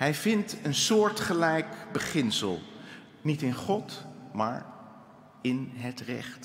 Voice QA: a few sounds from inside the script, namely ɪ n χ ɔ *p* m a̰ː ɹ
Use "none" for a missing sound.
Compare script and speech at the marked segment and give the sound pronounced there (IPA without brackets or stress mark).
t